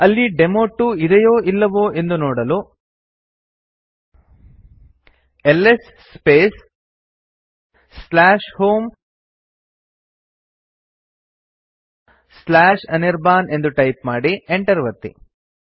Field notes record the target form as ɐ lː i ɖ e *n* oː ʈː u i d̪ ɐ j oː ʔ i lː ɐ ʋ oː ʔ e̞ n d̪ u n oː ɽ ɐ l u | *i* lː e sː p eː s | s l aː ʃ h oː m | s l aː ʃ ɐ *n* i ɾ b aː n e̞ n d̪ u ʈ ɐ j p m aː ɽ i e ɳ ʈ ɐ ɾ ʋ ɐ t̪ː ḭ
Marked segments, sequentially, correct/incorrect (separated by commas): incorrect, incorrect, correct